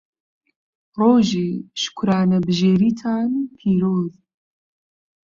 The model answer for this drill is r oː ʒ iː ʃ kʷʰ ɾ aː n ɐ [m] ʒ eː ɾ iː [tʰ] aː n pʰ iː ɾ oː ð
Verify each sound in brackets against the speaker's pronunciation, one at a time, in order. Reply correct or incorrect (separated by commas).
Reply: incorrect, correct